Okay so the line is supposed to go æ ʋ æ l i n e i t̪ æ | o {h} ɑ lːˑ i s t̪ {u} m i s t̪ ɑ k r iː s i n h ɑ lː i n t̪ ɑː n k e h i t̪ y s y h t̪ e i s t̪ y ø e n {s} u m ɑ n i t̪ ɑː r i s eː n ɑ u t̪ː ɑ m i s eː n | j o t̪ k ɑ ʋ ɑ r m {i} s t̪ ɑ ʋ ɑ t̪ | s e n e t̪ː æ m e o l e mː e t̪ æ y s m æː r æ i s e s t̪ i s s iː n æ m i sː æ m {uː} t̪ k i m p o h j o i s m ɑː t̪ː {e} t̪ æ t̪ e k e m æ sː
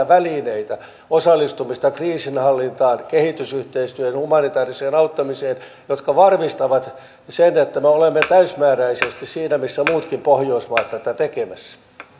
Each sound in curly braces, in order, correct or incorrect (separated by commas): incorrect, correct, incorrect, correct, correct, incorrect